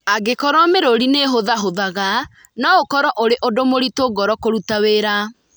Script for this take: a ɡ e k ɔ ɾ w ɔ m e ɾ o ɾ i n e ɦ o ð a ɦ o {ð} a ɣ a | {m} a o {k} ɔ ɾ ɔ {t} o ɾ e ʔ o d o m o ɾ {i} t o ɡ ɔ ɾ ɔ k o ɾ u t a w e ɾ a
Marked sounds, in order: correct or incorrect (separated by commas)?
correct, incorrect, correct, incorrect, correct